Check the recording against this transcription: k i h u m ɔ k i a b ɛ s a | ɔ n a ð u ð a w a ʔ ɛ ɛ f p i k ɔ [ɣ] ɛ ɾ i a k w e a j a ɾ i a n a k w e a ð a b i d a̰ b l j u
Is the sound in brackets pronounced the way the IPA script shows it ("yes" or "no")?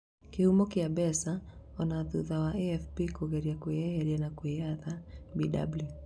yes